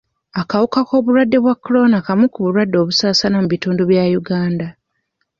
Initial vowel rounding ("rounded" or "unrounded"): unrounded